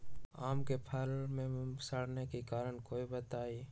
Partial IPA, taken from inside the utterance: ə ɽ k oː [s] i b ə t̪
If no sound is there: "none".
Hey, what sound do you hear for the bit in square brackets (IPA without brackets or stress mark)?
none